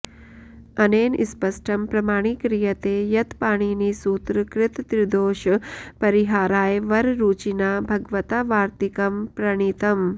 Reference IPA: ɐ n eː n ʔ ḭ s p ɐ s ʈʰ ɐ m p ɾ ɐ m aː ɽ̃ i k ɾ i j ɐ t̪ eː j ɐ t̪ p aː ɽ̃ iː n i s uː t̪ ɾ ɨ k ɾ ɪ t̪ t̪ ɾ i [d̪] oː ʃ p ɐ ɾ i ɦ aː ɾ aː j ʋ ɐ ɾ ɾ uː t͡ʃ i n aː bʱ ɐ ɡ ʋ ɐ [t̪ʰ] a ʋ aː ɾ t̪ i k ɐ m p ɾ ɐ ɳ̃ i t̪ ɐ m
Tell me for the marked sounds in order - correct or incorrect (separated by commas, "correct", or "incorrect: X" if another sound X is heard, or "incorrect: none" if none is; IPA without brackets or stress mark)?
correct, incorrect: t̪